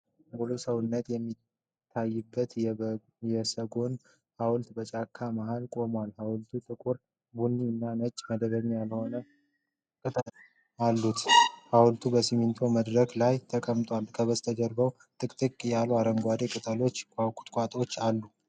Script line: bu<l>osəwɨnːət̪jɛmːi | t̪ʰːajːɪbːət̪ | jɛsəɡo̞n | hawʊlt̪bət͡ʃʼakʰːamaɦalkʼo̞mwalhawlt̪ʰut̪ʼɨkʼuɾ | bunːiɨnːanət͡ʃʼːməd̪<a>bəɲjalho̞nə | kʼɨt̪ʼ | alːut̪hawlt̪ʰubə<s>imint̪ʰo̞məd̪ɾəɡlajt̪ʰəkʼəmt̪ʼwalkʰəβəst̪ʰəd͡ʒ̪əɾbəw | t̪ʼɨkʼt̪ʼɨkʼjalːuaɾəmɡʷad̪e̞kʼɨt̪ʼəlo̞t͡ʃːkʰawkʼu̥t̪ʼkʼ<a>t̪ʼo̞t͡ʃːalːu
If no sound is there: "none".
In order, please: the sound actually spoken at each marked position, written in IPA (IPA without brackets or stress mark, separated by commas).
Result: l, ə, s, a